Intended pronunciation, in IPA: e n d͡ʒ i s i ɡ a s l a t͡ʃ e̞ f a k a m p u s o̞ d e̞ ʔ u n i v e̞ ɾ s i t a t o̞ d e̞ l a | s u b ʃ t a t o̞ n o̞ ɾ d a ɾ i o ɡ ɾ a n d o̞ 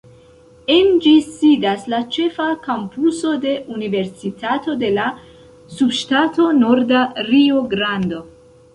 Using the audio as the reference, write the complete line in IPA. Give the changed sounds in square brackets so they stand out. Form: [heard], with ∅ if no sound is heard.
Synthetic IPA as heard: e n d͡ʒ i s i [d] a s l a t͡ʃ e̞ f a k a m p u s o̞ d e̞ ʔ u n i v e̞ ɾ s i t a t o̞ d e̞ l a | s u b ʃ t a t o̞ n o̞ ɾ d a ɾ i o ɡ ɾ a n d o̞